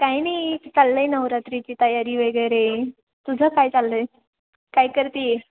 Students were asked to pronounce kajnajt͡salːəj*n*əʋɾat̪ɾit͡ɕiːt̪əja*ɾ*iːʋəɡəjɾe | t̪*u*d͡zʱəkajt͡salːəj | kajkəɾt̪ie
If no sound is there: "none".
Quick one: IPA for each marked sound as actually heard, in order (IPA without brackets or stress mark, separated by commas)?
n, ɾ, u